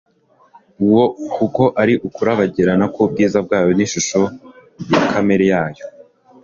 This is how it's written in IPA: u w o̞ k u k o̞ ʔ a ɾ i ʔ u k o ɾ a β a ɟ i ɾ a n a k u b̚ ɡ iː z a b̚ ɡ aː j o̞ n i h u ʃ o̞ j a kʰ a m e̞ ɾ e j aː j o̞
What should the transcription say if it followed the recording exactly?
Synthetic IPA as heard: u w o̞ k u k o̞ ʔ a ɾ i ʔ u k u ɾ a β a ɟ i ɾ a n a k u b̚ ɡ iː z a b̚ ɡ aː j o̞ n i ʃ u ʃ o̞ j a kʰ a m e̞ ɾ e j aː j o̞